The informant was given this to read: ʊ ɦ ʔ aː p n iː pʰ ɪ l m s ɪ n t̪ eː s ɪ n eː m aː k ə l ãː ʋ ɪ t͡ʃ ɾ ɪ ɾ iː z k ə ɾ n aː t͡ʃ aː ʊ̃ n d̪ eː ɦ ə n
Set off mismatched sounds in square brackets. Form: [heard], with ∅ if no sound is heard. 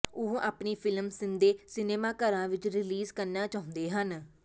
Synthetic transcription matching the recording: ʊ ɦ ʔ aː p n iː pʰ ɪ l m s ɪ n [d̪] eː s ɪ n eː m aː k ə [ɾ] ãː ʋ ɪ t͡ʃ ɾ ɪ [l] iː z k ə ɾ n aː t͡ʃ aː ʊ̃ n d̪ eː ɦ ə n